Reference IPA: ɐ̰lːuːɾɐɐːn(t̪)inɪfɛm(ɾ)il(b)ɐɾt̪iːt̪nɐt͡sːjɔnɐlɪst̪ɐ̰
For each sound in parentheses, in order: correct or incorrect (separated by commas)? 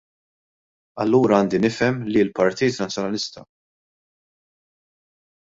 incorrect, incorrect, incorrect